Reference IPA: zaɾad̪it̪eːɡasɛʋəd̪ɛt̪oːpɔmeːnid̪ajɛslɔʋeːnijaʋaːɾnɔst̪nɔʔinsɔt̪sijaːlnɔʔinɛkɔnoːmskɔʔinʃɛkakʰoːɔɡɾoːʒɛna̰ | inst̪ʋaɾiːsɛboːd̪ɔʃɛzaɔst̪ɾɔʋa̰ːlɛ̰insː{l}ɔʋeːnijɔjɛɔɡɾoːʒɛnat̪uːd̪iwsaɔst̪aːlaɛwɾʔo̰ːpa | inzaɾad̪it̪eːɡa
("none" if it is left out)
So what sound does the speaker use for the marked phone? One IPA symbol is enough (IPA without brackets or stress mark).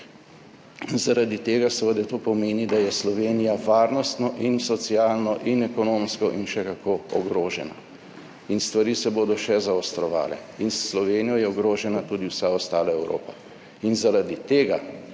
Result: l